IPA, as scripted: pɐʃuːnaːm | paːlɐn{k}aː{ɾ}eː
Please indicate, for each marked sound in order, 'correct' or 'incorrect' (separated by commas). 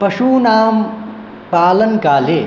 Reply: correct, incorrect